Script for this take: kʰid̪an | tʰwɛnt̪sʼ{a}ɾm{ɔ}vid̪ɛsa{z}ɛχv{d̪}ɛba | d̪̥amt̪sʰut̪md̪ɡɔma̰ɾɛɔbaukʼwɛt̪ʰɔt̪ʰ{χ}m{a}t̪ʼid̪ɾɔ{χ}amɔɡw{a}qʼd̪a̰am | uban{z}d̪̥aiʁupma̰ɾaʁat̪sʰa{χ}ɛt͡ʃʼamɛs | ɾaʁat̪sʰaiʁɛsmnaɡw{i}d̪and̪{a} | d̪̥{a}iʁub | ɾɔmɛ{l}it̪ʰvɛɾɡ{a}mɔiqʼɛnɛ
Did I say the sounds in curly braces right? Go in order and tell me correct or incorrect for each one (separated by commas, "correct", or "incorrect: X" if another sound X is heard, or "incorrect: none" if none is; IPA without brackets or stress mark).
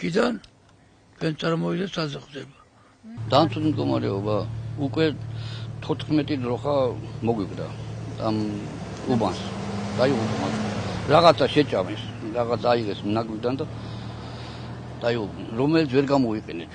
correct, correct, correct, correct, correct, incorrect: ɛ, correct, incorrect: i, incorrect: s, incorrect: ʃ, correct, correct, correct, correct, correct